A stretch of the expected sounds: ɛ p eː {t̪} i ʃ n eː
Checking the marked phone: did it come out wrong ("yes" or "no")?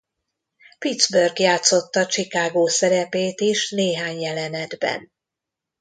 no